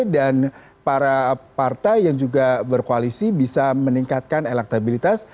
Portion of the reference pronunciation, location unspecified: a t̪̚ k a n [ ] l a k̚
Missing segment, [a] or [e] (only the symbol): e